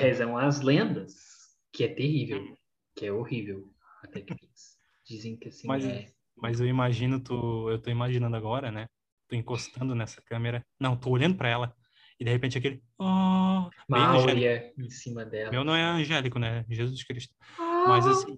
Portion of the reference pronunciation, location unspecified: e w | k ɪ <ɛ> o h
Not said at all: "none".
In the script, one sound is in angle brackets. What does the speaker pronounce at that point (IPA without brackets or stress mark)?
ɛ